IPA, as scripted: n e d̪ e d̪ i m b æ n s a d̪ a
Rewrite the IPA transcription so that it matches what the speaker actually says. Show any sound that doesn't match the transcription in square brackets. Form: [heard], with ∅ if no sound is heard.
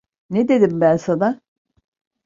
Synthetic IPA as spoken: n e d̪ e d̪ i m b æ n s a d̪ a